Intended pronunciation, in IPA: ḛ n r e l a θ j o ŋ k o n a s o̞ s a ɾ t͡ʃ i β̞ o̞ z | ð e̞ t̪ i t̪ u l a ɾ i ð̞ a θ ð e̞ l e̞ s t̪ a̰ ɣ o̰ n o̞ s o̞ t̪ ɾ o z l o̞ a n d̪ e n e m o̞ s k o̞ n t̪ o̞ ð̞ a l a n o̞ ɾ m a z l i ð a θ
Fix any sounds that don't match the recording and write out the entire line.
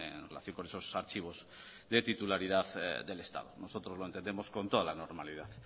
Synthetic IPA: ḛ n r e l a θ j o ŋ k o n e s o̞ s a ɾ t͡ʃ i β̞ o̞ z | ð e̞ t̪ i t̪ u l a ɾ i ð̞ a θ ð e̞ l e̞ s t̪ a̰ ð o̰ n o̞ s o̞ t̪ ɾ o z l o̞ e n t̪ e n e m o̞ s k o̞ n t̪ o̞ ð̞ a l a n o̞ ɾ m a l i ð a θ